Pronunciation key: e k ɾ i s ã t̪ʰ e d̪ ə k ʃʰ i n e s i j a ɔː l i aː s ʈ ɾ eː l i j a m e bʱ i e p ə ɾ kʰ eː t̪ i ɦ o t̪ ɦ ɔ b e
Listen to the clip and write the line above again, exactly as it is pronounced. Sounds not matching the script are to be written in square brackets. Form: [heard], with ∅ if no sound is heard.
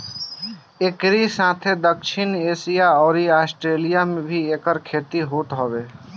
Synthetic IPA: e k ɾ i s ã t̪ʰ e d̪ ə k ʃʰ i n e s i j a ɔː [ɾ] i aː s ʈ ɾ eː l i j a m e bʱ i e [k] ə ɾ kʰ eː t̪ i ɦ o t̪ ɦ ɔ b e